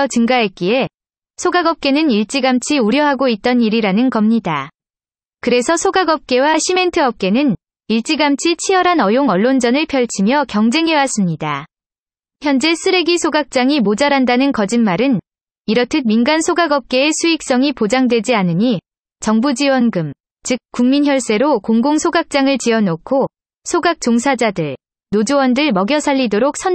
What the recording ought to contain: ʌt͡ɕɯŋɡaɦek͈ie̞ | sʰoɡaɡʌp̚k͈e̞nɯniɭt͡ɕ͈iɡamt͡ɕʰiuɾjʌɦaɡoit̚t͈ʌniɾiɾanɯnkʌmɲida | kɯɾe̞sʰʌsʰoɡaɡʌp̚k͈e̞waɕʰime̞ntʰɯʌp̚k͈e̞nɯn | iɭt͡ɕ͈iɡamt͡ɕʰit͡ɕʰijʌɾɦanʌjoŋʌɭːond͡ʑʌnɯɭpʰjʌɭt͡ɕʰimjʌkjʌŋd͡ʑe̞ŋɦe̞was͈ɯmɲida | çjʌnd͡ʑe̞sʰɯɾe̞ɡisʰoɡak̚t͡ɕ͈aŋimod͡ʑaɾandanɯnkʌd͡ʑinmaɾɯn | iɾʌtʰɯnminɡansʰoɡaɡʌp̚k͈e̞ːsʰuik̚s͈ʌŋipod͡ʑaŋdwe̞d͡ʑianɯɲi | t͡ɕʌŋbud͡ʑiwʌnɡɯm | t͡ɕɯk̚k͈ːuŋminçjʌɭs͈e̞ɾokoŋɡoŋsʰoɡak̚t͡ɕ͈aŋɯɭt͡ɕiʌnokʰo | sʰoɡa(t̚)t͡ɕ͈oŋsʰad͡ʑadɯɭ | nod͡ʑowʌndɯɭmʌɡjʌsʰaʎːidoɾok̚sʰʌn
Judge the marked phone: incorrect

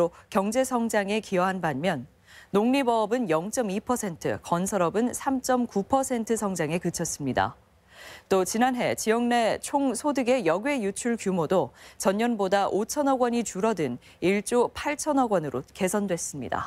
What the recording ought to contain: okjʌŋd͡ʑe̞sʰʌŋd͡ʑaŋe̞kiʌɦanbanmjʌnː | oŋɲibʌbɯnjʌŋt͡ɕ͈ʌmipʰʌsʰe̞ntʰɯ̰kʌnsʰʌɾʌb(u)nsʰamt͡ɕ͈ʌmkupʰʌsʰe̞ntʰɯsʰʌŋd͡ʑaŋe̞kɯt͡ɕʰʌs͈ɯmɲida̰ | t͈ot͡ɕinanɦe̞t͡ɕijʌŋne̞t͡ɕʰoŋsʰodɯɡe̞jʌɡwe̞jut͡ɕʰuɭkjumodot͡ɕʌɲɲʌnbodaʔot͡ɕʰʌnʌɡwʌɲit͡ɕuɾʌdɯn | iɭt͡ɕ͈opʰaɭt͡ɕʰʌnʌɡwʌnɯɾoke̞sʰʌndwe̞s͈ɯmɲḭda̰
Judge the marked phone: incorrect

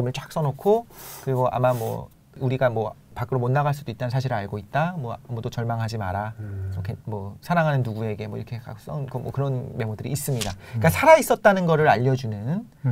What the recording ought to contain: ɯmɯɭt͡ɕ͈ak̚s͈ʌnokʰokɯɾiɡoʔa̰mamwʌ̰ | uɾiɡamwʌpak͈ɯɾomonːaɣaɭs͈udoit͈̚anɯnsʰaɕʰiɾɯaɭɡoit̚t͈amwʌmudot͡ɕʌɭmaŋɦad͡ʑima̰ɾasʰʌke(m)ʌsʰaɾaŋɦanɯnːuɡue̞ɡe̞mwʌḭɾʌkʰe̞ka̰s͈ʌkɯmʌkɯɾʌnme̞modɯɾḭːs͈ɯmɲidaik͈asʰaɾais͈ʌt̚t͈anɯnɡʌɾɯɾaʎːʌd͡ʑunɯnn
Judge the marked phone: correct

